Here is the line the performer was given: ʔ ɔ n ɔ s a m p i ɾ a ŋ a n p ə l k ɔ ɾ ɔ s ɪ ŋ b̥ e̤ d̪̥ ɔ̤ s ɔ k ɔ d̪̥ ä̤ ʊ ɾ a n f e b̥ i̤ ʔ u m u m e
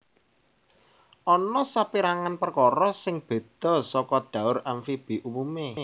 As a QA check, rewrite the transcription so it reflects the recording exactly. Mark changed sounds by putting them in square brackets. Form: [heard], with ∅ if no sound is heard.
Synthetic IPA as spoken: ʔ ɔ n ɔ s a [∅] p i ɾ a ŋ a n p ə [r] k ɔ ɾ ɔ s ɪ ŋ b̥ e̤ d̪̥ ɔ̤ s ɔ k ɔ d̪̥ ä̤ ʊ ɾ a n f [i] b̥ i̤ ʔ u m u m e